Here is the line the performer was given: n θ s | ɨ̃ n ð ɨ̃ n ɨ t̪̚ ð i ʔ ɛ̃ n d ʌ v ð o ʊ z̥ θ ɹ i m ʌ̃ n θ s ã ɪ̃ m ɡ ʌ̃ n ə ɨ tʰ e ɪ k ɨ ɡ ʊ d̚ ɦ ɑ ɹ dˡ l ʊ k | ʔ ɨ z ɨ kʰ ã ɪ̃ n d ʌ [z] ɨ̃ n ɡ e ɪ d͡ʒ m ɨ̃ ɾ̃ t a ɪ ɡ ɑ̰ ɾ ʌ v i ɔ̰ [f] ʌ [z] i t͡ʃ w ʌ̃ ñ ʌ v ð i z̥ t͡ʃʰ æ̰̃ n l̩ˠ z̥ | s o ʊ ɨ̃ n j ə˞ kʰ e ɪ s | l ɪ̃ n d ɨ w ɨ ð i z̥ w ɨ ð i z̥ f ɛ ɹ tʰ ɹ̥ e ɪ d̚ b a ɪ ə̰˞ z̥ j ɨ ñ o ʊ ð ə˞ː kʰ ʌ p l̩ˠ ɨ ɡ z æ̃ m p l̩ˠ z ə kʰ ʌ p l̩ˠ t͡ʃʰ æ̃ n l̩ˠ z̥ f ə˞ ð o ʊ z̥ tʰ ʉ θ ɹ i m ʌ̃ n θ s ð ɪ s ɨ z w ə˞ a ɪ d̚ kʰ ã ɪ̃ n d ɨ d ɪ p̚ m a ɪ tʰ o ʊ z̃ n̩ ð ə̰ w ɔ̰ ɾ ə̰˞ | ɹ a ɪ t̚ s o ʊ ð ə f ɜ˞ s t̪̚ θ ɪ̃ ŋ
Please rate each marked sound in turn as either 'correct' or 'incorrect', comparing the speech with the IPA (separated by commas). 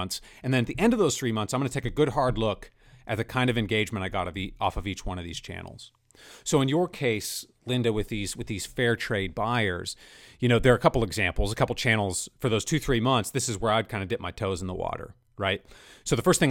incorrect, correct, incorrect